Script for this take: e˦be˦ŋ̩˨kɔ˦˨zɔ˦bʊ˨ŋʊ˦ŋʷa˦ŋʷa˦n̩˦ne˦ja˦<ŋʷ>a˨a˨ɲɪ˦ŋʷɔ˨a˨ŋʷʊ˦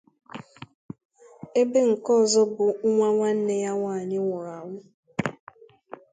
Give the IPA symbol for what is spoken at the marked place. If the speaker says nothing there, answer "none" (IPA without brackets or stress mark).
ŋʷ